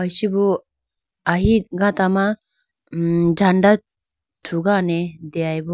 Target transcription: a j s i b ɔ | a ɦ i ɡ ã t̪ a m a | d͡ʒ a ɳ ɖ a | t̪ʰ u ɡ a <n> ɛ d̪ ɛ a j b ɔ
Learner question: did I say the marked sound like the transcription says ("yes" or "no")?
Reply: yes